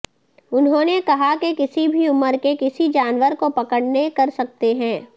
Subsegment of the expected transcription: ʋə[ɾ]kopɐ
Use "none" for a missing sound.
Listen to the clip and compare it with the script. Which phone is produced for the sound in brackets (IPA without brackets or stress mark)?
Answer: ɾ